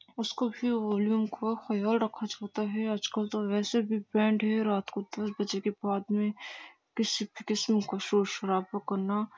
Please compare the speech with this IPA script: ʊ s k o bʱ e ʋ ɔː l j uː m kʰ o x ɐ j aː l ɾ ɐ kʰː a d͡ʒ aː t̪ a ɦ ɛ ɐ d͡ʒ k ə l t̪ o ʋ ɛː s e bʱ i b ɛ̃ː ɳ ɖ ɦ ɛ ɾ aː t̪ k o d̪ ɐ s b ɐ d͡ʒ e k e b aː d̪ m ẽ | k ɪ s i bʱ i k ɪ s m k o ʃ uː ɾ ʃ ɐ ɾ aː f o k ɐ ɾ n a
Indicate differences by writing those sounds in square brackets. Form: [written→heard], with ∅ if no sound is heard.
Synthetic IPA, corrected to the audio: ʊ s k o bʱ [e→i] ʋ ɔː l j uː m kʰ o x ɐ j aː l ɾ ɐ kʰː a d͡ʒ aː t̪ a ɦ ɛ ɐ d͡ʒ k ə l t̪ o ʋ ɛː s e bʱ i b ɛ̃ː ɳ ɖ ɦ ɛ ɾ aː t̪ k o d̪ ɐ s b ɐ d͡ʒ e k e b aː d̪ m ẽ | k ɪ s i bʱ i k ɪ s m k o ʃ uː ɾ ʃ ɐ ɾ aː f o k ɐ ɾ n a